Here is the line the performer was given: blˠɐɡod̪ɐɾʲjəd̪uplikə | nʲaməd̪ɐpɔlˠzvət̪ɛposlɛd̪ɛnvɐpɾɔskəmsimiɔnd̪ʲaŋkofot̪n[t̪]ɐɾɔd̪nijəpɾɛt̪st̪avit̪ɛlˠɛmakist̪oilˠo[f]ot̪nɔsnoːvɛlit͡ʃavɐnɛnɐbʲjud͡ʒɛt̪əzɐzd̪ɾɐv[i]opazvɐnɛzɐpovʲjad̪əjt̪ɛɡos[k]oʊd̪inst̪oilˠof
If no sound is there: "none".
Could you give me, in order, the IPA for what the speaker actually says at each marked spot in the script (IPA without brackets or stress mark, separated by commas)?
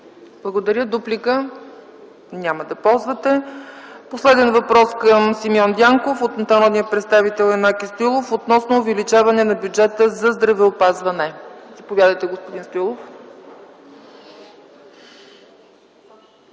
t̪, f, ɛ, p